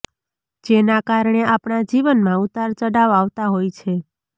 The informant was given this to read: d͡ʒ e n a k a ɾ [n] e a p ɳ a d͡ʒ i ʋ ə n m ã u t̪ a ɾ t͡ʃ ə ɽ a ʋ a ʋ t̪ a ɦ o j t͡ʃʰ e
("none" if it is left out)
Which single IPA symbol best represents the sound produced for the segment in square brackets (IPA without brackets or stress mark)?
ɳ